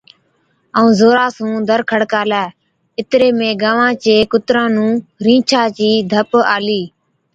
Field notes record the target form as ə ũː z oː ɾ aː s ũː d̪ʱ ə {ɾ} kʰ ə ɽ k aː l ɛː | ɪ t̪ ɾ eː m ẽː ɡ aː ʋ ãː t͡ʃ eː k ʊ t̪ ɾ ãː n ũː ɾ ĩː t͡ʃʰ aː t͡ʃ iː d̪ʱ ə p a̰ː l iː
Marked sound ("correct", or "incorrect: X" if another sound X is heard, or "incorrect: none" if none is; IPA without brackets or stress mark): correct